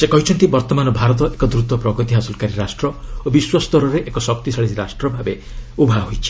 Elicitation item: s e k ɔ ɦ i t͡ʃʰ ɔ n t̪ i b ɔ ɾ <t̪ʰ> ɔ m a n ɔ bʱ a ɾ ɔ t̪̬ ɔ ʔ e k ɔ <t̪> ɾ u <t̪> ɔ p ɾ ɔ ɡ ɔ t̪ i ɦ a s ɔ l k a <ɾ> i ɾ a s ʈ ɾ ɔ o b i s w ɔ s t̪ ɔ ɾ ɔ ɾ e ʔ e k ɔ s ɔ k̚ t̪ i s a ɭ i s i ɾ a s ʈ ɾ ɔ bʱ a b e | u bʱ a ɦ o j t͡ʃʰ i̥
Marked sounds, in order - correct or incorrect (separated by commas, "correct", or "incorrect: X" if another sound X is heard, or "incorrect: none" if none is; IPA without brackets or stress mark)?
incorrect: t̪, incorrect: d̪, correct, correct